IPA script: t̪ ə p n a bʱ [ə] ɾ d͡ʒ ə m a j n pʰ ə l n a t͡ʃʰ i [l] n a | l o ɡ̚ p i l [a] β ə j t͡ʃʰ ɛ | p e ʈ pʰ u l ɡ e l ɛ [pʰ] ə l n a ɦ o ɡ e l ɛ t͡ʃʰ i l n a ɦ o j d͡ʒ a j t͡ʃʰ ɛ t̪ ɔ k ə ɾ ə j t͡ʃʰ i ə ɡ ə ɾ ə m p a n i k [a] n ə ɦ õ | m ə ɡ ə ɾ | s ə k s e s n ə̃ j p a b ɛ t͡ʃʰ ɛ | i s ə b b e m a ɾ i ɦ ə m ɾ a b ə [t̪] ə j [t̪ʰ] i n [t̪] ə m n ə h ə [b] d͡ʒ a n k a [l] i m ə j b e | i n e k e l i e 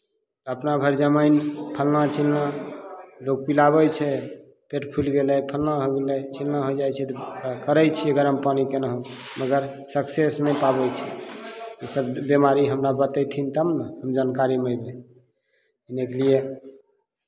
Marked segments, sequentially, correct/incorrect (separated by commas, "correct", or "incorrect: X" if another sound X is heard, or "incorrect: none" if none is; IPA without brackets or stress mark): correct, correct, correct, correct, incorrect: e, correct, correct, correct, incorrect: m, incorrect: ɾ